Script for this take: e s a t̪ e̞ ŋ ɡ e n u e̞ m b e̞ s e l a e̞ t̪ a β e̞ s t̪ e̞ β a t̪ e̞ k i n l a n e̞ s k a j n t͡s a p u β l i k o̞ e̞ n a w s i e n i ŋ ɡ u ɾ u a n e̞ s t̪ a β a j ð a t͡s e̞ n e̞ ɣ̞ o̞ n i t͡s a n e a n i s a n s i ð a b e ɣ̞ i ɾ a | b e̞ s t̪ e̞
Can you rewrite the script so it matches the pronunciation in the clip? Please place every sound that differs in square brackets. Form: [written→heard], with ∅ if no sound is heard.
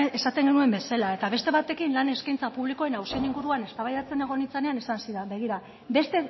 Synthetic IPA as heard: e s a t̪ e̞ ŋ ɡ e n u e̞ m b e̞ s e l a e̞ t̪ a β e̞ s t̪ e̞ β a t̪ e̞ k i n l a n e̞ s k a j n t͡s a p u β l i k o̞ e̞ n a w s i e n i ŋ ɡ u ɾ u a n e̞ s t̪ a β a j ð a t͡s e̞ n e̞ ɣ̞ o̞ n i t͡s a n e a n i s a n s i ð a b e ɣ̞ i ɾ a | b e̞ s t̪ e̞